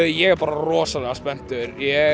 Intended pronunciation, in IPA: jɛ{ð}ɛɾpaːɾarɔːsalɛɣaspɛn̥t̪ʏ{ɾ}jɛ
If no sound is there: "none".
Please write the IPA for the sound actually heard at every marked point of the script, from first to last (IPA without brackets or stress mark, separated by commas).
ɣ, ɾ